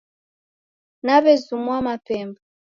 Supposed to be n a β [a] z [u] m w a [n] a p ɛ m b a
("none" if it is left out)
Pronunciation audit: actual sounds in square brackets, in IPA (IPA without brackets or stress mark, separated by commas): ɛ, u, m